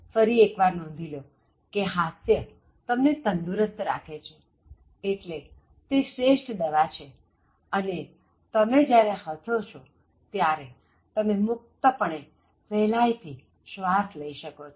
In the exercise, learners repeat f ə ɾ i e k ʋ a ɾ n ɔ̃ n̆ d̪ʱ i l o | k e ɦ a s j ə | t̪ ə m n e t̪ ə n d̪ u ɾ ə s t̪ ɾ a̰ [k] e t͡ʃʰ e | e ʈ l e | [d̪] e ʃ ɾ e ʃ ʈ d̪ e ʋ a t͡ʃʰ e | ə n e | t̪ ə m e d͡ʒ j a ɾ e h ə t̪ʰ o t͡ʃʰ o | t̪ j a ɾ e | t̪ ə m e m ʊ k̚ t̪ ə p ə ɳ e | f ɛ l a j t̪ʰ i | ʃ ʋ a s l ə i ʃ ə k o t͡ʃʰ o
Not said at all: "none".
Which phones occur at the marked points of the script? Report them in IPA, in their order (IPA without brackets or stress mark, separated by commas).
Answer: kʰ, t̪